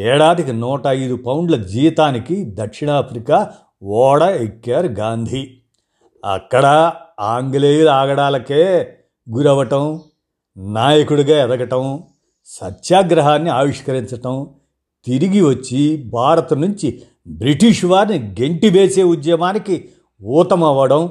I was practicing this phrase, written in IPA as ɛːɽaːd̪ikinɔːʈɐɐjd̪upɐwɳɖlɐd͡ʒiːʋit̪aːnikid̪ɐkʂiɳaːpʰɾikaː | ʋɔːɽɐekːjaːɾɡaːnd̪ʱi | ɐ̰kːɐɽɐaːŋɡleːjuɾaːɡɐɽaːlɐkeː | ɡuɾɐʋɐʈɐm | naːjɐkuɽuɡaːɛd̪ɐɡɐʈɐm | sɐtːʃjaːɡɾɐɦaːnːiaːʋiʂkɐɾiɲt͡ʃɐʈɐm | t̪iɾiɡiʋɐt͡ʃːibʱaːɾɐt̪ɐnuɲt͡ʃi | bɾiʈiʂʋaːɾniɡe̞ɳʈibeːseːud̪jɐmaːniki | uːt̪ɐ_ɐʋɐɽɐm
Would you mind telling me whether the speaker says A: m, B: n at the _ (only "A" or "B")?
A